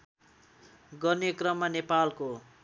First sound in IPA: ɡ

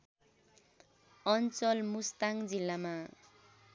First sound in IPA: ʌ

